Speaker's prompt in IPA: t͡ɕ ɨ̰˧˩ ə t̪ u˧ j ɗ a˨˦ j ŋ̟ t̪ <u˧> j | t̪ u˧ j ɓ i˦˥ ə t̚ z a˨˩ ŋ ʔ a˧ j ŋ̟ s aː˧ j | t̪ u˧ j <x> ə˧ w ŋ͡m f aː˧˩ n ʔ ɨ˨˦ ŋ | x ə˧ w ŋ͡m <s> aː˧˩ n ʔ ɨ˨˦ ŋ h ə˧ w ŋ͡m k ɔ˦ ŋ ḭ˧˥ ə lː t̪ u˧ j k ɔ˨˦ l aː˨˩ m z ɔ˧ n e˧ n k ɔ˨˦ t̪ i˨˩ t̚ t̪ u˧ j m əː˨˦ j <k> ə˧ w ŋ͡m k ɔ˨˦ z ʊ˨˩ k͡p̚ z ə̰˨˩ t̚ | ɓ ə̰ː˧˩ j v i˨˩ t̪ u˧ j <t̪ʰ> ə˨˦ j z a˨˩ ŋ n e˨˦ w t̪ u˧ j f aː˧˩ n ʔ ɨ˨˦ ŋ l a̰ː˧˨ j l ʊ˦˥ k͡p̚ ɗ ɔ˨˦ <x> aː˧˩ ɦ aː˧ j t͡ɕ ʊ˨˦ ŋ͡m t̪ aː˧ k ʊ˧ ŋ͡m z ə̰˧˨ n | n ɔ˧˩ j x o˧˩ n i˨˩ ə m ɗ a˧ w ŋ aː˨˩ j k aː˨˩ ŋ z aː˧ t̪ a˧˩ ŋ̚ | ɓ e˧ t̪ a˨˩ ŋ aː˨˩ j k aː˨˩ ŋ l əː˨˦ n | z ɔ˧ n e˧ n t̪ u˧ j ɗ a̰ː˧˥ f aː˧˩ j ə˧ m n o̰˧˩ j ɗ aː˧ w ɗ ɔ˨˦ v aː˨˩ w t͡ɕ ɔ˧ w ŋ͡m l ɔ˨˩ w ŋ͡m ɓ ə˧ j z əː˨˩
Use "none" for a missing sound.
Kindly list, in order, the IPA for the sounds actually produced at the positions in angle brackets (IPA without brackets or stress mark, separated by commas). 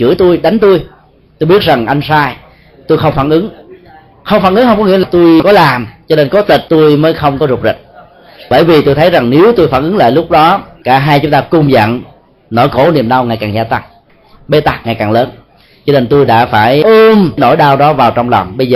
u˧, x, f, x, t̪ʰ, k